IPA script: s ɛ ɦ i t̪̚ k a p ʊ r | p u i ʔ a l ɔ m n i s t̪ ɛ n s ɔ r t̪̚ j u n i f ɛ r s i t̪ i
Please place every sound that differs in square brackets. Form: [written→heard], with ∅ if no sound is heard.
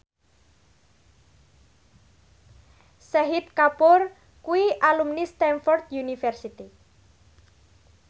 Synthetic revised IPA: s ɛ ɦ i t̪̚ k a p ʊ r | [p→k] u i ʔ a l [ɔ→u] m n i s t̪ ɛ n [s→f] ɔ r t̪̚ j u n i f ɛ r s i t̪ i